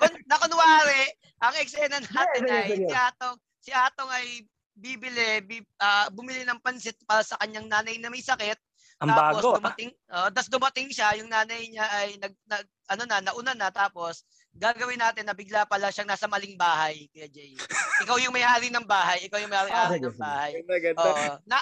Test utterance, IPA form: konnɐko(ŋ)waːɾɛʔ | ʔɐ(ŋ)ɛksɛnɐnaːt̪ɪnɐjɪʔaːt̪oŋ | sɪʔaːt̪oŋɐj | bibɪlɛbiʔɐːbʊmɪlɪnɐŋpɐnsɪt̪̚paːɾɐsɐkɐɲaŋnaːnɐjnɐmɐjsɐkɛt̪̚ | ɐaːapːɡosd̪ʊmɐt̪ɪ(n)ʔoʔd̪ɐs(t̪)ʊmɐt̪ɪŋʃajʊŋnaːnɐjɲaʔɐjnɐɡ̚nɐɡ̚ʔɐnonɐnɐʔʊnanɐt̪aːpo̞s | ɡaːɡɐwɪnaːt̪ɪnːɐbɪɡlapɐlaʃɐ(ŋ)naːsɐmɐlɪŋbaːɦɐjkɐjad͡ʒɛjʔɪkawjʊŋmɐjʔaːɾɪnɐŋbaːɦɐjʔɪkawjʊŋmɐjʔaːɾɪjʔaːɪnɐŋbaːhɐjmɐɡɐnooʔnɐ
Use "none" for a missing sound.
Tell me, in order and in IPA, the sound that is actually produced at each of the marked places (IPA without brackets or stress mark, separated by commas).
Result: n, ŋ, ŋ, d̪, ŋ